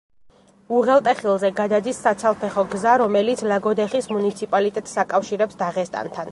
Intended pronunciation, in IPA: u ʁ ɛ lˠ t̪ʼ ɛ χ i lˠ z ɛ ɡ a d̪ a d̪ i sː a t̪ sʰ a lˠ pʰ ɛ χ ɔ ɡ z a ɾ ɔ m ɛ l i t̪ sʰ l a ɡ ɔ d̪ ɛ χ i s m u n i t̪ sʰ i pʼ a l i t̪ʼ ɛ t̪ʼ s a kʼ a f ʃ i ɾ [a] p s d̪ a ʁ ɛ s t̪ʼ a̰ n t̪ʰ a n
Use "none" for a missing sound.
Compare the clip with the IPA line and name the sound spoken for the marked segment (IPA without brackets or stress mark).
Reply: ɛ